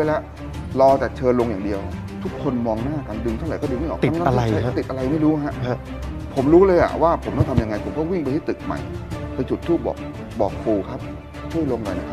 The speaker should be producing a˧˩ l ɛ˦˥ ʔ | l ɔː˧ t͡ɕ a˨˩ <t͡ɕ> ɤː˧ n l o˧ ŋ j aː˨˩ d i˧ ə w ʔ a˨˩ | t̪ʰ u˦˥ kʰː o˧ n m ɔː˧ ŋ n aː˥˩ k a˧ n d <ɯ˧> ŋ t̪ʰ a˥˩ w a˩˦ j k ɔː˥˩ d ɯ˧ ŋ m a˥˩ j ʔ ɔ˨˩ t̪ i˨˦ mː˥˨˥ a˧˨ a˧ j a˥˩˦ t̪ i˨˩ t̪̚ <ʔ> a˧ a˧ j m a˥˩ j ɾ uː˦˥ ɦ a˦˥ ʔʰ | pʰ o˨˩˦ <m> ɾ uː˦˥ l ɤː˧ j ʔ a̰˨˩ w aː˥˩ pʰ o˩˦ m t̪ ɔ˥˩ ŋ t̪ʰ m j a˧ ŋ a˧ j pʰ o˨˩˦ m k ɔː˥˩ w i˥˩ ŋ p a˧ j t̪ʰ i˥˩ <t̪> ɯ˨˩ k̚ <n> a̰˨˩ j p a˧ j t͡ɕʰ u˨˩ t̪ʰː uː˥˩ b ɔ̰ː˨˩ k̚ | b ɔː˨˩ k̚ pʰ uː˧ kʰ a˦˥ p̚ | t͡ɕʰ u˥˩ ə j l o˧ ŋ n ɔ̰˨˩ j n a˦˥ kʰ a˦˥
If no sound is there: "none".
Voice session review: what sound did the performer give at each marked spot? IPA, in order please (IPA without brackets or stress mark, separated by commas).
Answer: t͡ɕʰ, ɯ˧, ʔ, m, t̪, m